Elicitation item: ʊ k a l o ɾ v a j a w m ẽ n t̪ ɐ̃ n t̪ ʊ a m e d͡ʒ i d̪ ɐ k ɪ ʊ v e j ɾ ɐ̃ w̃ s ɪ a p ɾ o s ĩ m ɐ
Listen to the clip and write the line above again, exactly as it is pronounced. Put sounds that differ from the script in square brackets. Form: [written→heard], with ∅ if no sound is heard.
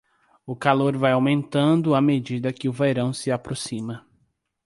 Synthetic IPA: ʊ k a l o ɾ v a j a w m ẽ n t̪ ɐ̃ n [t̪→d̪] ʊ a m e d͡ʒ i d̪ ɐ k ɪ ʊ v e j ɾ ɐ̃ w̃ s ɪ a p ɾ o s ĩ m ɐ